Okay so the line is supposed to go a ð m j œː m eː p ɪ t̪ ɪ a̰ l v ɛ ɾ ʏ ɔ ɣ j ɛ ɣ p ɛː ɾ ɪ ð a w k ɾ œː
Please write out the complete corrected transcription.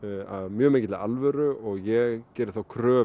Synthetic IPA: a ð m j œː m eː c ɪ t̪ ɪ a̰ l v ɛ ɾ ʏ ɔ ɣ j ɛ ɣ c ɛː ɾ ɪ θ a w kʰ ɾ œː